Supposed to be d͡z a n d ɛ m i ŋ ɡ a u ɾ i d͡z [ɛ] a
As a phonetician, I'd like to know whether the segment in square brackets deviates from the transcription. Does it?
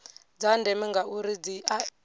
yes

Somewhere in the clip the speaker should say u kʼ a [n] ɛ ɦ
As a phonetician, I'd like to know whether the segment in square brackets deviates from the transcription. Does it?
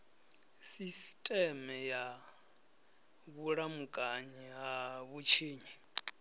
yes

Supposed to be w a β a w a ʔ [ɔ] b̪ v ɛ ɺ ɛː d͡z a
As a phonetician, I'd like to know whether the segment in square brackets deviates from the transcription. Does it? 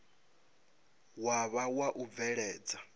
yes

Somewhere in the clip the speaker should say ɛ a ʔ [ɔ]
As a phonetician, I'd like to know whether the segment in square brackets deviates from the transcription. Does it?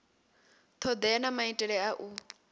yes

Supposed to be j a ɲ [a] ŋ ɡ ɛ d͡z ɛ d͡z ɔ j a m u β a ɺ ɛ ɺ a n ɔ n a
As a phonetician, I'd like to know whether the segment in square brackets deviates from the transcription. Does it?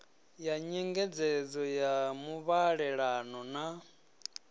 yes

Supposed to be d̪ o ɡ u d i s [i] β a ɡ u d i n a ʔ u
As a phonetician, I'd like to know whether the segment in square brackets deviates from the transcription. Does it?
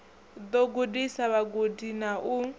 yes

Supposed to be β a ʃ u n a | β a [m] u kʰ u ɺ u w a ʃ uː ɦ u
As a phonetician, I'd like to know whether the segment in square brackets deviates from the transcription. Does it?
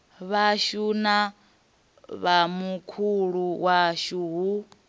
no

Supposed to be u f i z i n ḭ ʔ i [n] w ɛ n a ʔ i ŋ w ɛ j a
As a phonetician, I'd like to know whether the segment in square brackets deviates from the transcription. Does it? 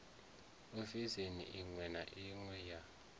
yes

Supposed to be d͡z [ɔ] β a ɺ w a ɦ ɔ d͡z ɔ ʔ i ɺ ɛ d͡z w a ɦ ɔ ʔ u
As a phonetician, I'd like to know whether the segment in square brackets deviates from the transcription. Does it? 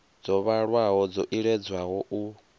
no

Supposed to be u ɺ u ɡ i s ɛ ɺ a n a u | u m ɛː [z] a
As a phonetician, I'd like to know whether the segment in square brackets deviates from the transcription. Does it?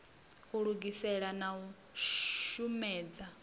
yes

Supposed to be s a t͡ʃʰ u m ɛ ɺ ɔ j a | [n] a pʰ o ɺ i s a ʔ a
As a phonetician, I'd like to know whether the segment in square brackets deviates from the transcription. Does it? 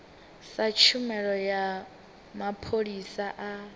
yes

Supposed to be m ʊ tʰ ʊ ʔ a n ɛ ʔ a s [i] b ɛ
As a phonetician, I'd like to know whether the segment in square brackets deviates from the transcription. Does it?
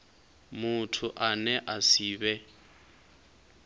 yes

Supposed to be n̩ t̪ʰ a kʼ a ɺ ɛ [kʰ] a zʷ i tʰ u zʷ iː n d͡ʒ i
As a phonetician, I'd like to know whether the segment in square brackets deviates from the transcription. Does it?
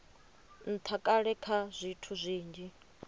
no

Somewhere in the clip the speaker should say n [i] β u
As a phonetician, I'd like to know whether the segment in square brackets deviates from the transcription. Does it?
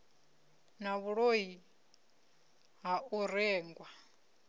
yes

